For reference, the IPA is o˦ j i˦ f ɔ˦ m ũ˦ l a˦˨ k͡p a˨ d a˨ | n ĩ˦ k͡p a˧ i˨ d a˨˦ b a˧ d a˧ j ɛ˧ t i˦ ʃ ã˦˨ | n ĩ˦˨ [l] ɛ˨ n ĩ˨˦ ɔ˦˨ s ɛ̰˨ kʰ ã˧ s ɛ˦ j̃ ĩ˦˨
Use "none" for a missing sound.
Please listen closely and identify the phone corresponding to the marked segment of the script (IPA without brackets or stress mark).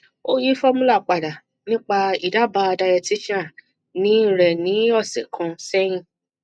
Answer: ɾ